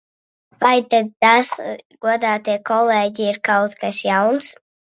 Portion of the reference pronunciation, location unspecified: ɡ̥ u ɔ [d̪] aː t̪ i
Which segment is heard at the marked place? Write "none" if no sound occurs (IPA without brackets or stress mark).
d̪